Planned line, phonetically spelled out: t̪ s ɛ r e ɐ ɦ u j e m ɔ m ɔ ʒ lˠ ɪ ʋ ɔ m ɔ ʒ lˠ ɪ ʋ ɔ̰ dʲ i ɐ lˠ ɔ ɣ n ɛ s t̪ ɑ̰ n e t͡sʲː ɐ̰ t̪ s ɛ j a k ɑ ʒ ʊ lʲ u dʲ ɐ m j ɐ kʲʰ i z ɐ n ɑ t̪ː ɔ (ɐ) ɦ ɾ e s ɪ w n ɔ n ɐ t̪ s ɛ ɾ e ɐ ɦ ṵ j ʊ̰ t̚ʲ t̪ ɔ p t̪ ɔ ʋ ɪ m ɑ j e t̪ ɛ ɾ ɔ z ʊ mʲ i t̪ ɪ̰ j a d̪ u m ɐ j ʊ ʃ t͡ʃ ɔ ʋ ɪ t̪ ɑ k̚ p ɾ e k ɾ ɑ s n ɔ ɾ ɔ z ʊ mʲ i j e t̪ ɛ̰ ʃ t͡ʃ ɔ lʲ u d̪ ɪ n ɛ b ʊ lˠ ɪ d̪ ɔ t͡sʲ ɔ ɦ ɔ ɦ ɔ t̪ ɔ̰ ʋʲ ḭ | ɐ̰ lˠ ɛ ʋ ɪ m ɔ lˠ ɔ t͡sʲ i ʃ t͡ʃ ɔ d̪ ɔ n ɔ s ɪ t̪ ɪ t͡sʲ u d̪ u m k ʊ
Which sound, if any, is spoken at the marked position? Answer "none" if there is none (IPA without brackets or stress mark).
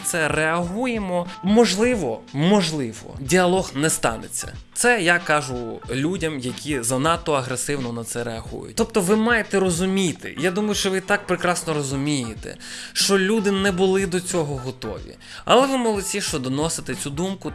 ɐ